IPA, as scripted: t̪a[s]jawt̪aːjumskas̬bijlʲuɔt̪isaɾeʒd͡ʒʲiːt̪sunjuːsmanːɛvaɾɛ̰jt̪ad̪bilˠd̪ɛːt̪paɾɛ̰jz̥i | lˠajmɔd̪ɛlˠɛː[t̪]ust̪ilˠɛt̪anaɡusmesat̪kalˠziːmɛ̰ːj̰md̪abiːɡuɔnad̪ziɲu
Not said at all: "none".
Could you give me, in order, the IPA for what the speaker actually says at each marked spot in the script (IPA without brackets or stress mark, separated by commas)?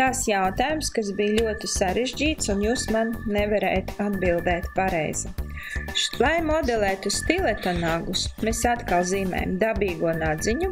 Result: s, t̪